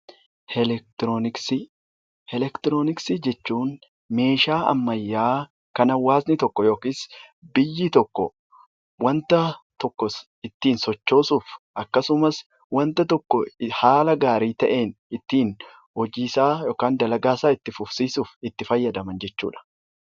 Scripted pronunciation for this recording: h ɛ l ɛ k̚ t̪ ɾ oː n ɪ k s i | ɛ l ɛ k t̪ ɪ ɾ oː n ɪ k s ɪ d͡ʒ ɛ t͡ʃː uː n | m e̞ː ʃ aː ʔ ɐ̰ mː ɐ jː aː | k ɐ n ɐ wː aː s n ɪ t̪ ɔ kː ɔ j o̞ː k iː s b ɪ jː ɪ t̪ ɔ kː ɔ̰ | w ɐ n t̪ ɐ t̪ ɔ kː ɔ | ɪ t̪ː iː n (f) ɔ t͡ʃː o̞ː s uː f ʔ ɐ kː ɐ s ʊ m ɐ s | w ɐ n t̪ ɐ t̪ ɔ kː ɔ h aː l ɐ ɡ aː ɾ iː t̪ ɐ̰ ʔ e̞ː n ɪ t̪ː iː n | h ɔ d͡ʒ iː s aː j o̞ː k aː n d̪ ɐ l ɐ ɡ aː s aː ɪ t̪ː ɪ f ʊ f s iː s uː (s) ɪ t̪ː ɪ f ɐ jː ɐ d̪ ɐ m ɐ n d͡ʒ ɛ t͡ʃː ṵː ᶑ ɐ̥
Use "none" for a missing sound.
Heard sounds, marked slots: s, f

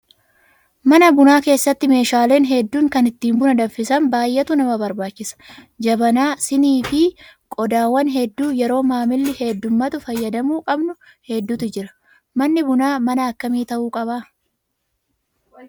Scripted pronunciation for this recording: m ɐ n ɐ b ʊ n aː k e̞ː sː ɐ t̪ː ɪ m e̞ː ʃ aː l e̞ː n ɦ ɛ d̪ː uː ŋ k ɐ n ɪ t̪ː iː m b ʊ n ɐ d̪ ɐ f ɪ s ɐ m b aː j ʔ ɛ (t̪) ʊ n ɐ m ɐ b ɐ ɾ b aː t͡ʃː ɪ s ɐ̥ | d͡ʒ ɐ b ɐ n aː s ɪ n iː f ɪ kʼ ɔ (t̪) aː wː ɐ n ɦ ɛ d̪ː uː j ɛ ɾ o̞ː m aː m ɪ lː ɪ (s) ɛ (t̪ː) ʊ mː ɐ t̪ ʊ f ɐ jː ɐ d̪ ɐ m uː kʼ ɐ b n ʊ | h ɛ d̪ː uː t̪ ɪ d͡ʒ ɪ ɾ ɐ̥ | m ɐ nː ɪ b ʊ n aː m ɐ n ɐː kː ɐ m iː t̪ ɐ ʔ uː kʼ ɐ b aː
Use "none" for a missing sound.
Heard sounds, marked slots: t̪, d̪, h, d̪ː

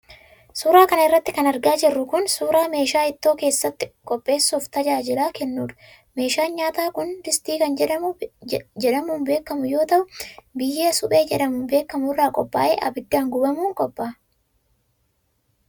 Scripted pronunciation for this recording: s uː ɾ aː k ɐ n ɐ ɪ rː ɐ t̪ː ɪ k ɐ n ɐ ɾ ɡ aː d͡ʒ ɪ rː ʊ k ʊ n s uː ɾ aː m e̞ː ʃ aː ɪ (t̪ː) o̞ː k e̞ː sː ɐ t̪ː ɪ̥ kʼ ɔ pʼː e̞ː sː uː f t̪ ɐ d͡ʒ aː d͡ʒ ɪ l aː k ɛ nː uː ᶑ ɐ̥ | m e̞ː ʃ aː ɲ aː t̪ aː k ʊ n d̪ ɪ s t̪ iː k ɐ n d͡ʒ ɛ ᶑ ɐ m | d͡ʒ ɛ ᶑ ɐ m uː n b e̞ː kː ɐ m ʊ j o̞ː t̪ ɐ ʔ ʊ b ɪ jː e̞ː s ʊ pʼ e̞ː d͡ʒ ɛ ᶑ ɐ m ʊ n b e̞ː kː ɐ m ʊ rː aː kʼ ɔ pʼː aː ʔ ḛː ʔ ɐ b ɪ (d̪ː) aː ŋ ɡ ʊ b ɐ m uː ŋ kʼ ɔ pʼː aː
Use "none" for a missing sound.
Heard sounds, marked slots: t̪ː, d̪ː

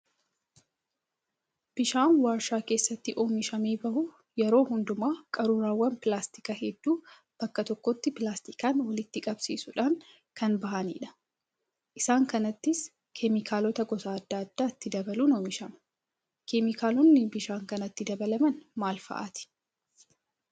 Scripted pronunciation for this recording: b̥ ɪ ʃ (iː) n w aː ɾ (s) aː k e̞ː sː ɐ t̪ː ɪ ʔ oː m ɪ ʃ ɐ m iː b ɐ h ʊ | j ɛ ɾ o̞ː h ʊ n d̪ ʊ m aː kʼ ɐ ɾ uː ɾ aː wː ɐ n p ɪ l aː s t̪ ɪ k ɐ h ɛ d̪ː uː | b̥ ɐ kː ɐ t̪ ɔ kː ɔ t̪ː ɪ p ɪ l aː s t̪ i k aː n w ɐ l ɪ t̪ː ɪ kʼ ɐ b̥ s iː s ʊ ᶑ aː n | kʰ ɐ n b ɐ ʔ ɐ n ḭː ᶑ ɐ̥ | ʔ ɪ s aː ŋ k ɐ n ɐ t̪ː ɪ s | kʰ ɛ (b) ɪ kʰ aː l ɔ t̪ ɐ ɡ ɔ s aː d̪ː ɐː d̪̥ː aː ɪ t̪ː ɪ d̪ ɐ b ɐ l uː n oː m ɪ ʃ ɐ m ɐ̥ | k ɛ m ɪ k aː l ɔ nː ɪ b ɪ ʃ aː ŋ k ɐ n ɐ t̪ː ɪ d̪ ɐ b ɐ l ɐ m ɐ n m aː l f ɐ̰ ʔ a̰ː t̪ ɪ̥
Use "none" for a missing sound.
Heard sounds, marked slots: aː, ʃ, m

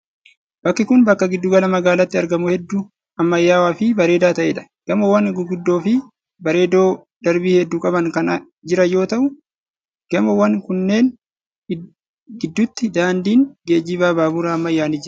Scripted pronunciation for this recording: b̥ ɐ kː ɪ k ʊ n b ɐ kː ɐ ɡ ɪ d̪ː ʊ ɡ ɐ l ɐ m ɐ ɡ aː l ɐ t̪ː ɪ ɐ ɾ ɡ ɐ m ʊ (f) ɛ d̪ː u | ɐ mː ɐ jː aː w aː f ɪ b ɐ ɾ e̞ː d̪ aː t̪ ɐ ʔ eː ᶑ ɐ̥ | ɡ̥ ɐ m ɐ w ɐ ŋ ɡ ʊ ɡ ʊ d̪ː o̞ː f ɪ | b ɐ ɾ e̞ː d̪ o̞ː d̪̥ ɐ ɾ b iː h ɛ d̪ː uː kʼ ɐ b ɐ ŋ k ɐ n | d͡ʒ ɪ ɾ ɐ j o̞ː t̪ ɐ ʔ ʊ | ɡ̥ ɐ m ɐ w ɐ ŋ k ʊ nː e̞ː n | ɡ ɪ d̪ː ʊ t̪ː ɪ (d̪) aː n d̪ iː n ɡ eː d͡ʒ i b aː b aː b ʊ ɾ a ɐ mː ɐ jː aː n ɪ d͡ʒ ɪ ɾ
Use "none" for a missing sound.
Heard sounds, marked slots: h, d̪

